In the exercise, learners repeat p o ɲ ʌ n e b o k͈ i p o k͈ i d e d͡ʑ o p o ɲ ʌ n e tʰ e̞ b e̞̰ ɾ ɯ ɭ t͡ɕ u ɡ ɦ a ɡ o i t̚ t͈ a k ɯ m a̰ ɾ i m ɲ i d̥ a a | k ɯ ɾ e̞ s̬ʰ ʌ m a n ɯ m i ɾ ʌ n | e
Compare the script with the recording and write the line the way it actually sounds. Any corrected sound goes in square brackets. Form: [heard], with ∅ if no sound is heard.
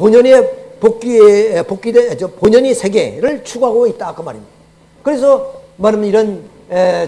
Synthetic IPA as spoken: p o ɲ ʌ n e [p] o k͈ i p o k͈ i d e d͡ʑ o p o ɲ ʌ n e [sʰ] e̞ [ɡ] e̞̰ ɾ ɯ ɭ [t͡ɕʰ] u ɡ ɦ a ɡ o i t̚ t͈ a k ɯ m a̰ ɾ i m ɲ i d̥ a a | k ɯ ɾ e̞ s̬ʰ ʌ m a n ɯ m i ɾ ʌ n | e